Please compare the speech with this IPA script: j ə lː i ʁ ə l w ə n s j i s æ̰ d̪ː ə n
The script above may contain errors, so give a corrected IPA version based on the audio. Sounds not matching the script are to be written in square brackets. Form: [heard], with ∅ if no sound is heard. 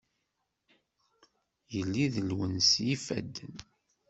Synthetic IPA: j ə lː i [ð] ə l w ə n s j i [f] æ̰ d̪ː ə n